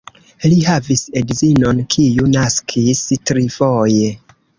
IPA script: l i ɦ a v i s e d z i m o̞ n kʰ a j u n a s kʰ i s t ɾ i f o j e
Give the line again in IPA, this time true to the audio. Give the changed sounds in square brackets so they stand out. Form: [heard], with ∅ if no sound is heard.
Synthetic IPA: l i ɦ a v i s e d z i [n] o̞ n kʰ [i] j u n a s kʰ i s t ɾ i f o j e